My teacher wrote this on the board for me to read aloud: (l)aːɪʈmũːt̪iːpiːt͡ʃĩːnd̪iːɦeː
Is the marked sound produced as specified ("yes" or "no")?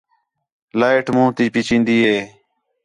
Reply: yes